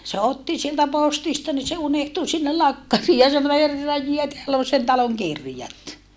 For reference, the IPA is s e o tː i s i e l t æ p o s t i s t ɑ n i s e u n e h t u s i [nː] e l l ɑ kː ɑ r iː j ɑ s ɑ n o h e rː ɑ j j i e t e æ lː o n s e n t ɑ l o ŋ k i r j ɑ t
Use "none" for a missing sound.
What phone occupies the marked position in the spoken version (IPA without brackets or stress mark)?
nː